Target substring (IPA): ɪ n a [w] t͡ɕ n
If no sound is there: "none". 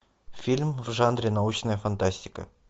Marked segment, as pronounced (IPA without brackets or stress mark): u